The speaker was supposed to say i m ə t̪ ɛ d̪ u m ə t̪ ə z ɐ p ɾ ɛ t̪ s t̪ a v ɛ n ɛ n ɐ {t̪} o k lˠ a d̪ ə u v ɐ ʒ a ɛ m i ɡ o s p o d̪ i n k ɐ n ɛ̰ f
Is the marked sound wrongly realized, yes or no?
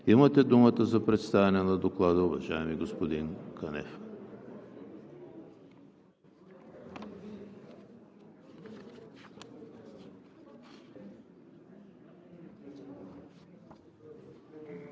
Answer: yes